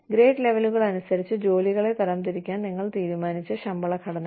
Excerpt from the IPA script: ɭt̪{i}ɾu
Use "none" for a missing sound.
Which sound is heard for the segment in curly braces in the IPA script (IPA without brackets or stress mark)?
iː